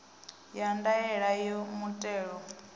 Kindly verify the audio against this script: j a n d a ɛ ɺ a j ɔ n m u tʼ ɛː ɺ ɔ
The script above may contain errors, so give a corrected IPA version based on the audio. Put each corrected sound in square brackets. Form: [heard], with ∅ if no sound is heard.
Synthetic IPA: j a n d a ɛ ɺ a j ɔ [∅] m u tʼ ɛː ɺ ɔ